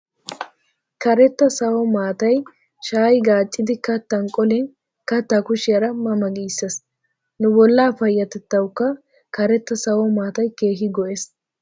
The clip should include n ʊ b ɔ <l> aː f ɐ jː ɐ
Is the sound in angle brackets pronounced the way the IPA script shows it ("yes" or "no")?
no